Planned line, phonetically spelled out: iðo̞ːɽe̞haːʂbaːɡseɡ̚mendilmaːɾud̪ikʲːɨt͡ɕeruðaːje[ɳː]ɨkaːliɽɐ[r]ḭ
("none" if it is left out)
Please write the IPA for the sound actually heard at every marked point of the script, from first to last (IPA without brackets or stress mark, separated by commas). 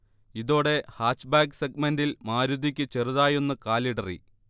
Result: nː, r